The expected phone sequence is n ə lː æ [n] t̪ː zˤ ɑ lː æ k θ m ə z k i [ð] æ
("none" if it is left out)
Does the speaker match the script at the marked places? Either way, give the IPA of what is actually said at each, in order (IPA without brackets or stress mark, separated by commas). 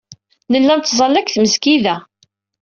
n, ð